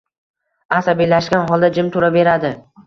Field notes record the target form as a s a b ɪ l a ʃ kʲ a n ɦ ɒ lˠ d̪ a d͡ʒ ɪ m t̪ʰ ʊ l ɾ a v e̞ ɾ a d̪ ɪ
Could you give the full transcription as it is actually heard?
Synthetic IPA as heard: a s a b i l a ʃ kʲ a n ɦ ɒ lˠ d̪ a d͡ʒ ɪ m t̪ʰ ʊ ɾ a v e̞ ɾ a d̪ ɪ